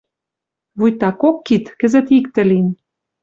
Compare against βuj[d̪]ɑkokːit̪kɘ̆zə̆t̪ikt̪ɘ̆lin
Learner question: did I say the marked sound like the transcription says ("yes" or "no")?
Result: no